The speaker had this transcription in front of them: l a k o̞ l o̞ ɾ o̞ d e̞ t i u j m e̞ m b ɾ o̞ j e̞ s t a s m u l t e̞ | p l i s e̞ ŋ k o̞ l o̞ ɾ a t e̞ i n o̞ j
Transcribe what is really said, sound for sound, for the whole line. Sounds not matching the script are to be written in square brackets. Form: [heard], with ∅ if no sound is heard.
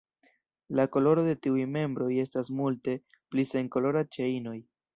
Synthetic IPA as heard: l a k o̞ l o̞ ɾ o̞ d e̞ t i u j m e̞ m b ɾ o̞ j e̞ s t a s m u l t e̞ | p l i s e̞ ŋ k o̞ l o̞ ɾ a [t͡ʃ] e̞ i n o̞ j